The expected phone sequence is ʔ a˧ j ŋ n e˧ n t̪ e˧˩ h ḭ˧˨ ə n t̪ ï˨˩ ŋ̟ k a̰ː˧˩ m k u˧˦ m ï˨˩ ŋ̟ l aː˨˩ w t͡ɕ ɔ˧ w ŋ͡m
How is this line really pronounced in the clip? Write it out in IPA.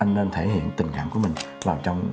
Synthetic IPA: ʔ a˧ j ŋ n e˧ n t̪ʰ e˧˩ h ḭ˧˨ ə n t̪ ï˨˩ ŋ̟ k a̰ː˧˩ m k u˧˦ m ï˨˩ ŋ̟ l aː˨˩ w t͡ɕ ɔ˧ w ŋ͡m